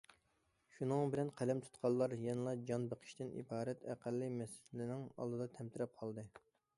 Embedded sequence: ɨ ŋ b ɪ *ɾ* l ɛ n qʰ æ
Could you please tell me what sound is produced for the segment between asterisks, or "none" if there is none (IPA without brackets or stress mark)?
none